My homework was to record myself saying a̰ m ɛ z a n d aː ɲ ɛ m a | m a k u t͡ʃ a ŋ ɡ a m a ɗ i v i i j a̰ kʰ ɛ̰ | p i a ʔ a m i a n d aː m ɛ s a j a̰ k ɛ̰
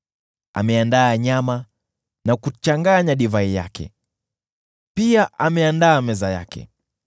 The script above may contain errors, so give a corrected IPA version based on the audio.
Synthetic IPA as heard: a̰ m ɛ a n d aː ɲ a m a | n a k u t͡ʃ a ŋ ɡ a ɲ a ɗ i v a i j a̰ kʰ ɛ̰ | p i a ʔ a m ɛ a n d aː m ɛ z a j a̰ k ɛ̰